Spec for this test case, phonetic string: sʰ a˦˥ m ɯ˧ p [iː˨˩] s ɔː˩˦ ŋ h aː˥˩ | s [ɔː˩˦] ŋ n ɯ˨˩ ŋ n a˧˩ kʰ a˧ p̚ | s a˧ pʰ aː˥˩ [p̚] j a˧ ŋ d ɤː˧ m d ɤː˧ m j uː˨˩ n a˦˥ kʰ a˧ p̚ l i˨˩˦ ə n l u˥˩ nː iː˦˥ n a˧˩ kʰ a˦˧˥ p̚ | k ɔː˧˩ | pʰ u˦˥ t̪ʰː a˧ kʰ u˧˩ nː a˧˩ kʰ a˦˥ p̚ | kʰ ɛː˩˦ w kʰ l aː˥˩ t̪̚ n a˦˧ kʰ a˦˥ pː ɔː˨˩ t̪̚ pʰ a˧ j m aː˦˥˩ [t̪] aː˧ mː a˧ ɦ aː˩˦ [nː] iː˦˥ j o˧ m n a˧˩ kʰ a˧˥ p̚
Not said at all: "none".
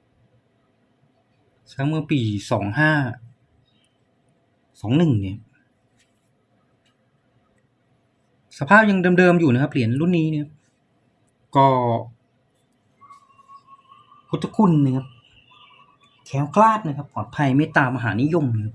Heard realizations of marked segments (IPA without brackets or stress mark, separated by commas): iː˨˩, ɔː˩˦, p̚, t̪, n